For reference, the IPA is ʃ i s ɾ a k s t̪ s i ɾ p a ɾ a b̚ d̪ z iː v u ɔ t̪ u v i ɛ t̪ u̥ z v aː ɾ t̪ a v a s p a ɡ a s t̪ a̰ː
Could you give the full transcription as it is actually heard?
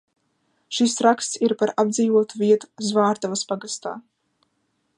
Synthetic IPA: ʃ i s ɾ a k s t̪ s i ɾ p a ɾ a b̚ d̪ z iː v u ɔ t̪ u v i ɛ t̪ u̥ z v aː ɾ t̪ a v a s p a ɡ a s t̪ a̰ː